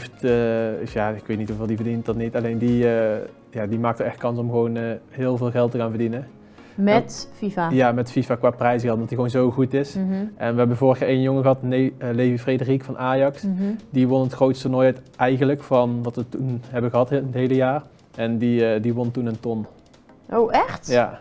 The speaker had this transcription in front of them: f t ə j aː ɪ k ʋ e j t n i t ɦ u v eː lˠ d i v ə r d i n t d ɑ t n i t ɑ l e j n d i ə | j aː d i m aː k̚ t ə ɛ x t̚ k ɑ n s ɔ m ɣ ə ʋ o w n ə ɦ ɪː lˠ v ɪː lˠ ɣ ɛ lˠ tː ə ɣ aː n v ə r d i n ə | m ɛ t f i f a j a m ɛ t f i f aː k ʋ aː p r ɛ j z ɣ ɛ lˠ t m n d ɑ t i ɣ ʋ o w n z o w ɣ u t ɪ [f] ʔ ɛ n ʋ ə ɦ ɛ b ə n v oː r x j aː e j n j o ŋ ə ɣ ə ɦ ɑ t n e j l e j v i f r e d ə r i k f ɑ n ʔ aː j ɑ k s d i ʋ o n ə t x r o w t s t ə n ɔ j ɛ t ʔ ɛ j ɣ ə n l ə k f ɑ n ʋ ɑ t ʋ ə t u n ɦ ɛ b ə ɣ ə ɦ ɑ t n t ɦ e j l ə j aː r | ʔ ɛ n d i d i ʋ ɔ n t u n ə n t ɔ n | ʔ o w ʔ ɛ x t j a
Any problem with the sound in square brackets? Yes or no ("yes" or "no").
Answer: yes